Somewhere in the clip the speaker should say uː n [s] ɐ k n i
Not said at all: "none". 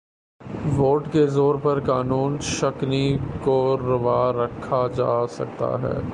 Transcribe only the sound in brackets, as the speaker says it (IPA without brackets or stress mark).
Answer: ʃ